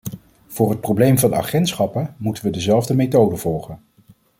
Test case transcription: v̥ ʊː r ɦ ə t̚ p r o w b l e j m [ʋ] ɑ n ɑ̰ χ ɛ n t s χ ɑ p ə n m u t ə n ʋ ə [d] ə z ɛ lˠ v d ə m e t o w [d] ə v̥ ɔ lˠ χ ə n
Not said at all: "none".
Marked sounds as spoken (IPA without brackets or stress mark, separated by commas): v, d, d